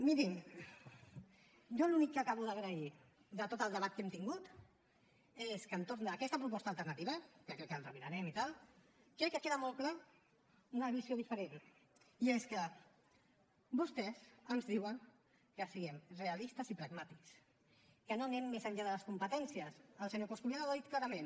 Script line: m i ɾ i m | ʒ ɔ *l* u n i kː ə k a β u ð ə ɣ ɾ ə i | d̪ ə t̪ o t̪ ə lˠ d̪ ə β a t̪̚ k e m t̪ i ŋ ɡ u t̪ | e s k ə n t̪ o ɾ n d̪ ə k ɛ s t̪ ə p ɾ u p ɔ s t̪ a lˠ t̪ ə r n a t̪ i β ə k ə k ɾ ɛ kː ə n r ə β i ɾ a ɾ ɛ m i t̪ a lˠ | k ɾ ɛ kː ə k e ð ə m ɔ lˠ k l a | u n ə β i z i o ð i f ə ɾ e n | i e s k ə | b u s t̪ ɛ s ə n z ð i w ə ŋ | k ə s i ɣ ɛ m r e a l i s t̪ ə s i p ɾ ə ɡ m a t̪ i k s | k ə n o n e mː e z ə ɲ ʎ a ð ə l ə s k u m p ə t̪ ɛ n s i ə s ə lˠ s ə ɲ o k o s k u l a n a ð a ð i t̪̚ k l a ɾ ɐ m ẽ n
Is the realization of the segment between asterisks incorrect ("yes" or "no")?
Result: no